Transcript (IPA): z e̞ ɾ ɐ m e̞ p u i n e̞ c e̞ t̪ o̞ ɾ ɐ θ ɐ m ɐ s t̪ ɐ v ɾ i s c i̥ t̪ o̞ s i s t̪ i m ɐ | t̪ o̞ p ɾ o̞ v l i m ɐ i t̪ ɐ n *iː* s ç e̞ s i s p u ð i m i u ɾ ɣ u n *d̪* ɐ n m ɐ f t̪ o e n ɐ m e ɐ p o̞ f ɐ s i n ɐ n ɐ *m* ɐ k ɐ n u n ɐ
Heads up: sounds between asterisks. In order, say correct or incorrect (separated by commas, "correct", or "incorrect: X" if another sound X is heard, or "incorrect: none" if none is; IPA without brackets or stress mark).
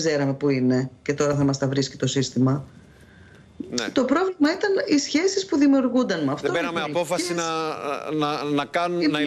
incorrect: i, correct, incorrect: n